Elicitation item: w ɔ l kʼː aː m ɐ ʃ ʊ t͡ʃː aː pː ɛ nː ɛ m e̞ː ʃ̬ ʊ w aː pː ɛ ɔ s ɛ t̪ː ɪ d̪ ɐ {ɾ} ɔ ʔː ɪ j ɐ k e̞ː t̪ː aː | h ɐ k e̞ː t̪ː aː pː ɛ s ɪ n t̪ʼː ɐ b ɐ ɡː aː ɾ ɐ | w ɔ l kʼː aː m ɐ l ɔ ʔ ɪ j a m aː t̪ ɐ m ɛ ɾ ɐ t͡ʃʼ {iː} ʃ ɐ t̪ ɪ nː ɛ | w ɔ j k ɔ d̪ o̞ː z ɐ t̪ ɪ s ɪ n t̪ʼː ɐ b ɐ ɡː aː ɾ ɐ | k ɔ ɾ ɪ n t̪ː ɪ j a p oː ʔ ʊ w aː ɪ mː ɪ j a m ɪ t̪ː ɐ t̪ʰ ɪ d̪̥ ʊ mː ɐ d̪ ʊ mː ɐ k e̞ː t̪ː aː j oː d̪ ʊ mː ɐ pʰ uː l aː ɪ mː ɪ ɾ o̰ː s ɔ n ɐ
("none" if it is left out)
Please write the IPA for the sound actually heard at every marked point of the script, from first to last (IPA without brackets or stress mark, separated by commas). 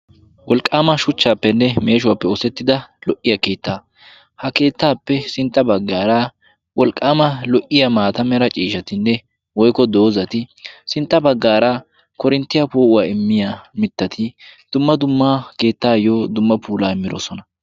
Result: l, iː